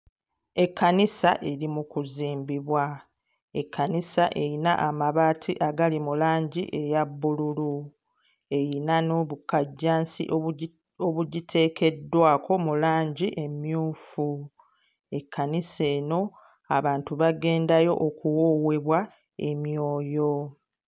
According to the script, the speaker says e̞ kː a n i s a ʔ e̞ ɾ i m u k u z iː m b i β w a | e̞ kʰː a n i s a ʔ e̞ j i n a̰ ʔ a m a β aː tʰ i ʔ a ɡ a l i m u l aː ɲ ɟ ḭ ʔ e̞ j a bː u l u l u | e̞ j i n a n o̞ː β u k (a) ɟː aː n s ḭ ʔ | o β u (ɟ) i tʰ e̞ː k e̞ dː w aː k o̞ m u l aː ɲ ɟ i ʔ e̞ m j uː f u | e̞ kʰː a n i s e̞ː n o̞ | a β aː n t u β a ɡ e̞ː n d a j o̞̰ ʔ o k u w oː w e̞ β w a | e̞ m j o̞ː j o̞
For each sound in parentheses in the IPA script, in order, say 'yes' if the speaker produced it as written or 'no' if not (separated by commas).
yes, yes